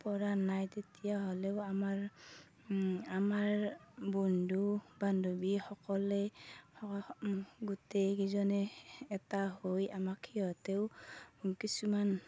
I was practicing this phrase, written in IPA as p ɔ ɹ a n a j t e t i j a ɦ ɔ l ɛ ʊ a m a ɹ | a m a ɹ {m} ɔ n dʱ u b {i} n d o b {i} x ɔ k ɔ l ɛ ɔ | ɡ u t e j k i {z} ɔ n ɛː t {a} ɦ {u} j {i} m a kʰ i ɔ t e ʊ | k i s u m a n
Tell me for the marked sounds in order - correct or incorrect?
incorrect, incorrect, correct, correct, correct, incorrect, incorrect

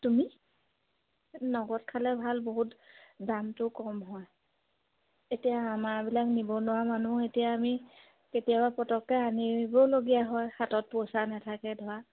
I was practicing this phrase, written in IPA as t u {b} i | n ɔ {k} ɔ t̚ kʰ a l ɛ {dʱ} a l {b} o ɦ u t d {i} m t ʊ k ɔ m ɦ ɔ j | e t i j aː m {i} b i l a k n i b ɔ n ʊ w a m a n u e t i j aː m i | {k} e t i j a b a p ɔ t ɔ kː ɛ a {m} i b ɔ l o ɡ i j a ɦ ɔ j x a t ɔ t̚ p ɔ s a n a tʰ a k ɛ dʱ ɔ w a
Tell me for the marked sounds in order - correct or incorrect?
incorrect, incorrect, incorrect, correct, incorrect, incorrect, correct, incorrect

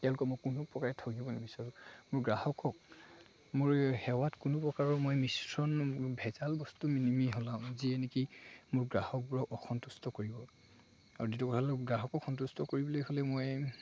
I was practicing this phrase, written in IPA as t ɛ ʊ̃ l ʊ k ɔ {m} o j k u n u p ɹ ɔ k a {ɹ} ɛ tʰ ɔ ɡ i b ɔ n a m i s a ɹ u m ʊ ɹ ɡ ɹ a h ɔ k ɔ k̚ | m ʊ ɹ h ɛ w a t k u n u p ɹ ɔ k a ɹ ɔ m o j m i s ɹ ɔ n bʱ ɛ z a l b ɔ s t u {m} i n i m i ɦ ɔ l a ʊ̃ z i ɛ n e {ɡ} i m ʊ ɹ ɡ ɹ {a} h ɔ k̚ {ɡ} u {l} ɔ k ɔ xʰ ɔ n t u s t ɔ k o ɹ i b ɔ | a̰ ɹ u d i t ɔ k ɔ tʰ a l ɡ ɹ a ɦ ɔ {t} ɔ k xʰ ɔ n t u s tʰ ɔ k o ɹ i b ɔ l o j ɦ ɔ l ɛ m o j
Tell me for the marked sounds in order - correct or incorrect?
correct, correct, correct, incorrect, correct, incorrect, incorrect, incorrect

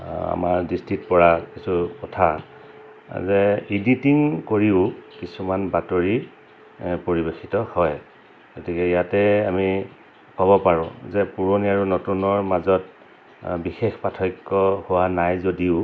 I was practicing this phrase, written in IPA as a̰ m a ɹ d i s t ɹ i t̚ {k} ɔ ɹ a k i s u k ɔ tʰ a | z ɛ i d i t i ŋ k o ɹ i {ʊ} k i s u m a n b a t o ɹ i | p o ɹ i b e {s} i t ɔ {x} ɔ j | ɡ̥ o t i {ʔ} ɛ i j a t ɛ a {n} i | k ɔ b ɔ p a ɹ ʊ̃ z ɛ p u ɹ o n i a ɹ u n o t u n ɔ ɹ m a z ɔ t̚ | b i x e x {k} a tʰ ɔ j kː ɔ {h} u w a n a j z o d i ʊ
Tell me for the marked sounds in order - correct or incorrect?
incorrect, correct, incorrect, incorrect, incorrect, incorrect, incorrect, correct

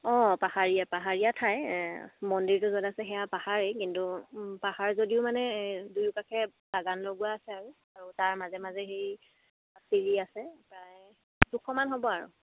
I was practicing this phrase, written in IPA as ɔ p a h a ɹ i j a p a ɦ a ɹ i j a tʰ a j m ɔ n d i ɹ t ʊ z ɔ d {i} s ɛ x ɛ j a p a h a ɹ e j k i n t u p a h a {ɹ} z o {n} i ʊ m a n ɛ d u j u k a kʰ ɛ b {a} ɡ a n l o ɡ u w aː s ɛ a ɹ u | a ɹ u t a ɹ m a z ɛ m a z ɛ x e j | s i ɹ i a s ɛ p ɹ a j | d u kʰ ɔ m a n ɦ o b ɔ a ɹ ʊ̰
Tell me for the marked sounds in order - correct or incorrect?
incorrect, correct, incorrect, correct

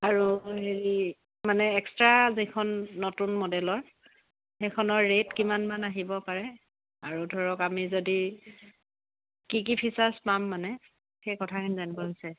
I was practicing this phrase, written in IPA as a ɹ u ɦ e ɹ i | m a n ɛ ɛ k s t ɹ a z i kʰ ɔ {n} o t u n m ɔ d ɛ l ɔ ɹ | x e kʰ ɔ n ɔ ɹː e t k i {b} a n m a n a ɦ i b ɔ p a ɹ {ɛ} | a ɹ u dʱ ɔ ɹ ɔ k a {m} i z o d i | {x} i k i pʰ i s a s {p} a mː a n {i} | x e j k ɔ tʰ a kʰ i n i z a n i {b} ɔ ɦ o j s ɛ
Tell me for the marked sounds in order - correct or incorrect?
incorrect, incorrect, correct, correct, incorrect, correct, incorrect, correct

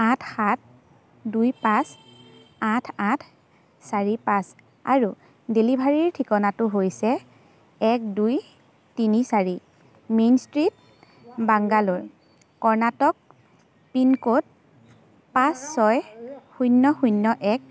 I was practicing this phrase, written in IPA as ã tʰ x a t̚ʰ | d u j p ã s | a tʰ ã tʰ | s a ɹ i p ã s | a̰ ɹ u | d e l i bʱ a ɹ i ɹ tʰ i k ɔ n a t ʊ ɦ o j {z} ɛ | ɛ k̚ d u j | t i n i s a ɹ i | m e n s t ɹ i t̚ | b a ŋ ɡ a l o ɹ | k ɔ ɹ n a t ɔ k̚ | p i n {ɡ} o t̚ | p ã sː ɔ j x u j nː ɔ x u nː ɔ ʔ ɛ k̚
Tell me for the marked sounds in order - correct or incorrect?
incorrect, incorrect

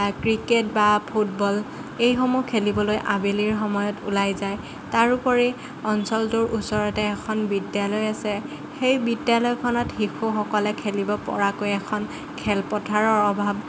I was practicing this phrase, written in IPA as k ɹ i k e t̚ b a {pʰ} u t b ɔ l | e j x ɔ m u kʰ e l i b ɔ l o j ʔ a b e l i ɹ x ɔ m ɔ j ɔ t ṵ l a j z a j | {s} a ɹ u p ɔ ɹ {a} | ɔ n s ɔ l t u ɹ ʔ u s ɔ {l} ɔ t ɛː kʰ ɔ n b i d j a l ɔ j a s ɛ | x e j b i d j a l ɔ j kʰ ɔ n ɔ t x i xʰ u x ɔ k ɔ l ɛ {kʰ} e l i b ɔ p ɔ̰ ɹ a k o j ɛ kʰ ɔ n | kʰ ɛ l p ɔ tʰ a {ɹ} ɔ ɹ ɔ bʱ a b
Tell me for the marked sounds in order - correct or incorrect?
correct, incorrect, incorrect, incorrect, correct, correct

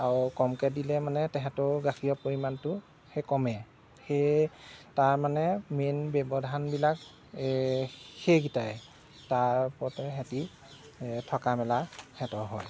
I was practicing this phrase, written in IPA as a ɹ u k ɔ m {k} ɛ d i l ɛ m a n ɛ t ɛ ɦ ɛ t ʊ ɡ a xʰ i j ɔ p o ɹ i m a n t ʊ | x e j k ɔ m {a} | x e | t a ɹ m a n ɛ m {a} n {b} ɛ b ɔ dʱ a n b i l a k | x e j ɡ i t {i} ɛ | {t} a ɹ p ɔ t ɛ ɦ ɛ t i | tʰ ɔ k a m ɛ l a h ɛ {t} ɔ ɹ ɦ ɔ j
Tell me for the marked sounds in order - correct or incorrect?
correct, incorrect, incorrect, correct, incorrect, correct, correct

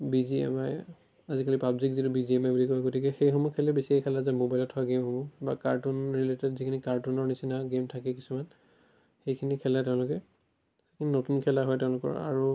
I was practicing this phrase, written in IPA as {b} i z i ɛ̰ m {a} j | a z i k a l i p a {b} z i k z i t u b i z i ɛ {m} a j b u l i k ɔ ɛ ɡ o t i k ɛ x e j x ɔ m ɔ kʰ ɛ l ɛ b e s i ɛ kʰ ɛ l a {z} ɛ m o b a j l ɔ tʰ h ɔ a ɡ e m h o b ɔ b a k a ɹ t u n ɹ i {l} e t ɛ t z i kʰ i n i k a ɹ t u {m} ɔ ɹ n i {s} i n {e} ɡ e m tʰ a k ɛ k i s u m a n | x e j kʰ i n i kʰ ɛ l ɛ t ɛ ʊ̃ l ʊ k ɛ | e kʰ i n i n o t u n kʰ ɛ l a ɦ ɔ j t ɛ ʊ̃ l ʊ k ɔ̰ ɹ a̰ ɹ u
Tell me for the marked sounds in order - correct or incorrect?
correct, correct, correct, correct, correct, correct, incorrect, correct, incorrect

